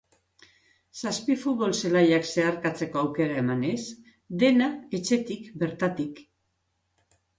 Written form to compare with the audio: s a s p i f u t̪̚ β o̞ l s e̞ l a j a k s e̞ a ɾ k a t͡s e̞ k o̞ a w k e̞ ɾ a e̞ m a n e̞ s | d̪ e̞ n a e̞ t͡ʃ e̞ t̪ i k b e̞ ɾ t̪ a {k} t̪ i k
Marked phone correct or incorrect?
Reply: incorrect